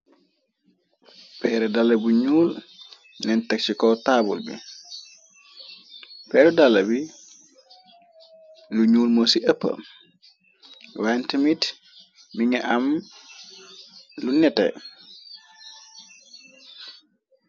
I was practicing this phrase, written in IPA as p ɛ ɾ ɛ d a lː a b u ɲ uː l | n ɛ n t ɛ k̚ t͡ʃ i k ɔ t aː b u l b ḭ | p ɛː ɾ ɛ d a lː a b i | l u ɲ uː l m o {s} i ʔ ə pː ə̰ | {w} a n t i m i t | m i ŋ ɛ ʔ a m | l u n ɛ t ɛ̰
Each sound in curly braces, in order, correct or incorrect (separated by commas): correct, correct